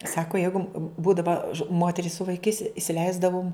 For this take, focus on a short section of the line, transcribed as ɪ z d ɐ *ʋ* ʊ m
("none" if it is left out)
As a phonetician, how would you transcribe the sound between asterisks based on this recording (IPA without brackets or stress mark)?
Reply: ʋ